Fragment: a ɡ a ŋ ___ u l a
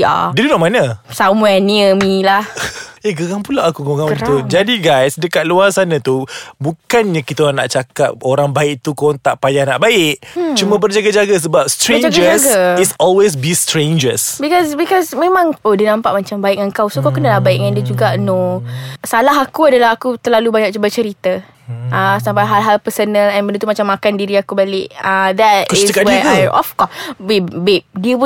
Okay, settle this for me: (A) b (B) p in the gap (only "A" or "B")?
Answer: B